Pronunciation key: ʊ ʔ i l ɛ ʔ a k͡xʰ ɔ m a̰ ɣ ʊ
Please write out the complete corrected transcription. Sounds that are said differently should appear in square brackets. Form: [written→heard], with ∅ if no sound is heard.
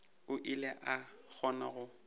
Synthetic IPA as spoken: ʊ ʔ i l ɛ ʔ a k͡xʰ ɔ [m→n] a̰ ɣ ʊ